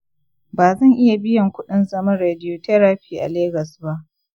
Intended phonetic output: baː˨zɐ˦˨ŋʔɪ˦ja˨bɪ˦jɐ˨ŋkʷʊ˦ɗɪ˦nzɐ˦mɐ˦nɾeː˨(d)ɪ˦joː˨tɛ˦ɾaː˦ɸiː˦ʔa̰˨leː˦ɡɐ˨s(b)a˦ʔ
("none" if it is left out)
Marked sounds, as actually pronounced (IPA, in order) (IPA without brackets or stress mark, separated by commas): d, b